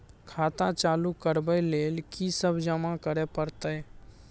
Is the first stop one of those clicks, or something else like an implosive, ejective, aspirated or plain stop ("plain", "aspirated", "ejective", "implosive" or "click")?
aspirated